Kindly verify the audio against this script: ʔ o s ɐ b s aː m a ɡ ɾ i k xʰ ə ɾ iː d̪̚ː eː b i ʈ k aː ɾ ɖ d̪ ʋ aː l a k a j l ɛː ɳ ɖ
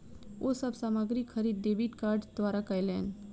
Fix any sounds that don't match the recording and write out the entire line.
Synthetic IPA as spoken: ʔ o s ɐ b s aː m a ɡ ɾ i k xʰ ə ɾ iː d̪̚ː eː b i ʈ k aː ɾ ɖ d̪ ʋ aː ɾ a k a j l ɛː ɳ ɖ